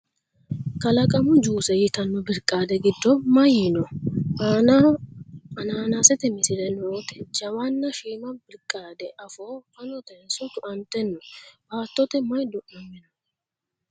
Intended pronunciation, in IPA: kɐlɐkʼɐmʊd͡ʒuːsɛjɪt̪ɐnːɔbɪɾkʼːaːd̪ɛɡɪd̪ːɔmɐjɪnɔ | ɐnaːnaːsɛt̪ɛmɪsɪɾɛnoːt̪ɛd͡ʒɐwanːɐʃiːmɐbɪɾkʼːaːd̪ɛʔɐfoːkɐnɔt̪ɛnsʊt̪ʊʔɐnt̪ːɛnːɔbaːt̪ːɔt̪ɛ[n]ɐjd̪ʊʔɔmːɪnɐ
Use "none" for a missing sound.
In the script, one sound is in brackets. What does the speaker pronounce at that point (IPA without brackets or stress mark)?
m